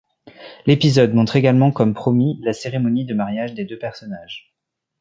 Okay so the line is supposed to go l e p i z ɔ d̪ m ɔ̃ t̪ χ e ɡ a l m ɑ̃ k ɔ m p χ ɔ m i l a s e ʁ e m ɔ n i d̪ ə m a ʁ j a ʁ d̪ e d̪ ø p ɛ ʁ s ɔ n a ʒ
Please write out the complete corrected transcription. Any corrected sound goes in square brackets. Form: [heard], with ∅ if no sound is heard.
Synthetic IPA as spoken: l e p i z ɔ d̪ m ɔ̃ t̪ χ e ɡ a l m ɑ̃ k ɔ m p χ ɔ m i l a s e ʁ e m ɔ n i d̪ ə m a ʁ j a [ʒ] d̪ e d̪ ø p ɛ ʁ s ɔ n a ʒ